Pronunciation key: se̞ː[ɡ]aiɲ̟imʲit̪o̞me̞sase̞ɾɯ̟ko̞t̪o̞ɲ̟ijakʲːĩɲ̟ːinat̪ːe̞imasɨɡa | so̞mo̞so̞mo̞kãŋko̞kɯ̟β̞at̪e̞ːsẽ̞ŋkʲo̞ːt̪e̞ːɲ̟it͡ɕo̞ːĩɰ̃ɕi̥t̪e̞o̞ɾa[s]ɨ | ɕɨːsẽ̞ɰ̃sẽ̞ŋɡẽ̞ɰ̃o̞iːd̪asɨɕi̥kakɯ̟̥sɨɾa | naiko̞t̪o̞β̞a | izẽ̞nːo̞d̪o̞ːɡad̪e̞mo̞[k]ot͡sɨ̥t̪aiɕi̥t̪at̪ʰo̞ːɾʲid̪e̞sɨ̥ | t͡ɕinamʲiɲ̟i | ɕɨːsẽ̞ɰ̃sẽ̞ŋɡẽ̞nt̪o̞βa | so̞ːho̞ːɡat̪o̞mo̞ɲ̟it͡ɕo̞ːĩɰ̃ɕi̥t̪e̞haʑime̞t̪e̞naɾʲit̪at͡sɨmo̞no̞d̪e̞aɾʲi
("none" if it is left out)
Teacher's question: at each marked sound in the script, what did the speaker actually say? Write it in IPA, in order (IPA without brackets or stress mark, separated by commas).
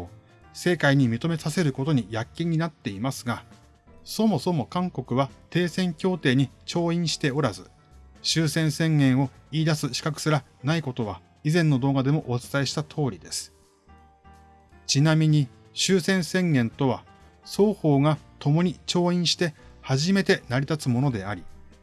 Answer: k, z, ʔ